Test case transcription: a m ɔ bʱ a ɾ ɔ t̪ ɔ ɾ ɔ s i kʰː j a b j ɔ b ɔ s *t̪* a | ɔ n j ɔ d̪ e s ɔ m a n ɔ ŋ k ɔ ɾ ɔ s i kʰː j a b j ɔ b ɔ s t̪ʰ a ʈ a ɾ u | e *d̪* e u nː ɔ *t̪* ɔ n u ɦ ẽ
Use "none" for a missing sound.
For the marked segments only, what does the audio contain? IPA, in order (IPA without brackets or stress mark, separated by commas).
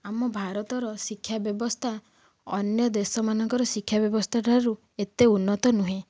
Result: t̪ʰ, t̪, t̪